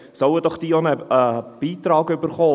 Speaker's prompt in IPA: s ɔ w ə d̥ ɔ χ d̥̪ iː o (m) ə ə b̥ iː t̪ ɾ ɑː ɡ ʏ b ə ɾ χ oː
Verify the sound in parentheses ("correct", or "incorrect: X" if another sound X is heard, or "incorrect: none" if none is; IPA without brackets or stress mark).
incorrect: n